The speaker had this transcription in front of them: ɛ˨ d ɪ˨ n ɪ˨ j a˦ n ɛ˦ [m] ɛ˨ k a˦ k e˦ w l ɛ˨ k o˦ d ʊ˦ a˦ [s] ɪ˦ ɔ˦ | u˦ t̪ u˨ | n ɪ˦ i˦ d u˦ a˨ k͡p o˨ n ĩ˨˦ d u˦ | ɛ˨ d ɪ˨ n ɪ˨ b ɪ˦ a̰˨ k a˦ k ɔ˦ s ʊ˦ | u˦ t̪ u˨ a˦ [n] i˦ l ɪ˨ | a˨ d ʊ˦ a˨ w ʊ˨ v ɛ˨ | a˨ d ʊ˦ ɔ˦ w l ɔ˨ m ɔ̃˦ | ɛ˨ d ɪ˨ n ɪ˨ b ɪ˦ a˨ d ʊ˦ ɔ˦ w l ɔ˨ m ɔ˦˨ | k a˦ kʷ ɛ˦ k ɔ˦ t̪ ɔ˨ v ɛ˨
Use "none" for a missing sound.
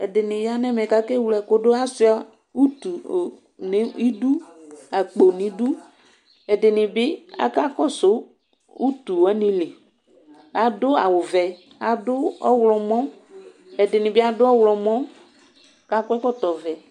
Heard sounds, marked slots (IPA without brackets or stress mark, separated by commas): m, s, n